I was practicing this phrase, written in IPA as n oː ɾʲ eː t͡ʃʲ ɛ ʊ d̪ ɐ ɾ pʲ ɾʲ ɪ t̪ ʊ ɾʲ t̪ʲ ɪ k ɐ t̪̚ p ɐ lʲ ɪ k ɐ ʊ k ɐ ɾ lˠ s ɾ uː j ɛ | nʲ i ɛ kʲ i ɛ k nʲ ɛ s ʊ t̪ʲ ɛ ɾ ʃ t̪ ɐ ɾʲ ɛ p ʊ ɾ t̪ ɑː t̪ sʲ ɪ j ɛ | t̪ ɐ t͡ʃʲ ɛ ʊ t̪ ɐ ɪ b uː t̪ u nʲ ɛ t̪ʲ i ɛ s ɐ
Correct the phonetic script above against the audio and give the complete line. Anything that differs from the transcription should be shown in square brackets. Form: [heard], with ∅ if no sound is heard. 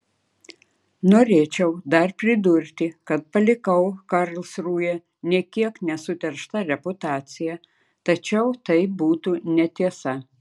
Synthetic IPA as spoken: n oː ɾʲ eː t͡ʃʲ ɛ ʊ d̪ ɐ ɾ pʲ ɾʲ ɪ [d̪] ʊ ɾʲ t̪ʲ ɪ k ɐ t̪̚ p ɐ lʲ ɪ k ɐ ʊ k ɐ ɾ lˠ s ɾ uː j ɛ | nʲ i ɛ kʲ i ɛ k nʲ ɛ s ʊ t̪ʲ ɛ ɾ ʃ t̪ ɐ ɾʲ ɛ p ʊ [∅] t̪ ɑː t̪ sʲ ɪ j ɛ | t̪ ɐ t͡ʃʲ ɛ ʊ t̪ ɐ ɪ b uː t̪ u nʲ ɛ t̪ʲ i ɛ s ɐ